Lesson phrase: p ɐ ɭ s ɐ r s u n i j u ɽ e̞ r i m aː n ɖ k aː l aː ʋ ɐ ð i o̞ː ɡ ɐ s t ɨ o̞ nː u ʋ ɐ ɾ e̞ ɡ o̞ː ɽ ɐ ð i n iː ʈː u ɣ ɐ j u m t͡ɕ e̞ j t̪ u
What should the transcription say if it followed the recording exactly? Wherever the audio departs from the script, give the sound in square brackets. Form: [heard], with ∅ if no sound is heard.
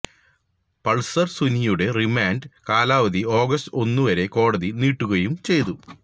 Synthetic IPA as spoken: p ɐ ɭ s ɐ r s u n i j u ɽ e̞ r i m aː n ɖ k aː l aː ʋ ɐ ð i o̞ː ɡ ɐ s t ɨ o̞ nː u ʋ ɐ ɾ e̞ [k] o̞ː ɽ ɐ ð i n iː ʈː u ɣ ɐ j u m t͡ɕ e̞ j t̪ u